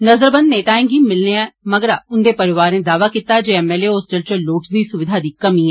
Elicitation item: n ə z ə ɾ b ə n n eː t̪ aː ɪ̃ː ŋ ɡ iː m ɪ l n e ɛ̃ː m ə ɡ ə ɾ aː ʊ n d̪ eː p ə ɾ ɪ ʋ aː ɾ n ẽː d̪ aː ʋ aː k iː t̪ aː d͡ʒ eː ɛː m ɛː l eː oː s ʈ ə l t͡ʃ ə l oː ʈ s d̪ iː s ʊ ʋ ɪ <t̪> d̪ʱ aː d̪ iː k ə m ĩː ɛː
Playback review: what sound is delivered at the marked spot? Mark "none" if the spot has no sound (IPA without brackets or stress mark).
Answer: none